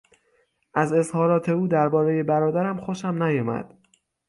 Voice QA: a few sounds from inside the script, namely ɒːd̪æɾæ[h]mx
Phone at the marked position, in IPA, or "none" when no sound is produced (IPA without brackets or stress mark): none